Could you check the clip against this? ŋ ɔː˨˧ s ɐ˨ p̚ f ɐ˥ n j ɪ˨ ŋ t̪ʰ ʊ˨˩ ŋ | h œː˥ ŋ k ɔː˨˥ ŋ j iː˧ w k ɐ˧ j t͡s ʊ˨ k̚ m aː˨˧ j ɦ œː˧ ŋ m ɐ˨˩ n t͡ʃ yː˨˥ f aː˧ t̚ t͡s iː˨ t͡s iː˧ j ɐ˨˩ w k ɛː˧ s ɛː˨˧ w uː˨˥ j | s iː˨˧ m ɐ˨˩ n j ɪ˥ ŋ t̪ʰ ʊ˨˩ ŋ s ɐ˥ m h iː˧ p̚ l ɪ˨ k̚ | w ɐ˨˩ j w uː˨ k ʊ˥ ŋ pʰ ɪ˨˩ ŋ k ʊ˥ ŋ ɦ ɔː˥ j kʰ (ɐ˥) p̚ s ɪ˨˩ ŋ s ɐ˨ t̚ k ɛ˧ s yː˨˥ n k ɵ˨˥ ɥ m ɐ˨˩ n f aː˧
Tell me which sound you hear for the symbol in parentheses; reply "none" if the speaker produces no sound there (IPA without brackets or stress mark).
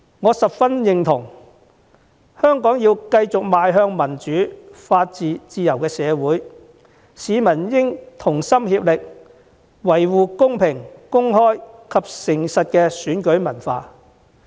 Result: ɐ˨